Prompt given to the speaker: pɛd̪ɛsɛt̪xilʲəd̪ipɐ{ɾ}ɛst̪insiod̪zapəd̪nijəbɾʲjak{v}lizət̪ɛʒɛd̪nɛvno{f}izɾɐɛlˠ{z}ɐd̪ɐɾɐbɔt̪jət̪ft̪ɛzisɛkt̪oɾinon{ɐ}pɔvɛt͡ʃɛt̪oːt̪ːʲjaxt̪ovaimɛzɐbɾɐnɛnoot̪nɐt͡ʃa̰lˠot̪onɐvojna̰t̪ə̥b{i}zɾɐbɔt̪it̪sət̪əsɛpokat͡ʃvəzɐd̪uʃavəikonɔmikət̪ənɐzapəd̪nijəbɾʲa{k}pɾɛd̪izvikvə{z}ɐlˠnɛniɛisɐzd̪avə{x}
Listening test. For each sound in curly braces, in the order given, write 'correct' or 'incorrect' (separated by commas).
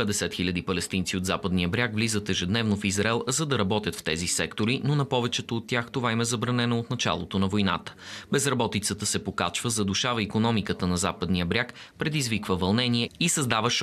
incorrect, correct, correct, correct, correct, incorrect, correct, incorrect, incorrect